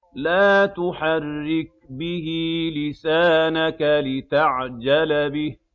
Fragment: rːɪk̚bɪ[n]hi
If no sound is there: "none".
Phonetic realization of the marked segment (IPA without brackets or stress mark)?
none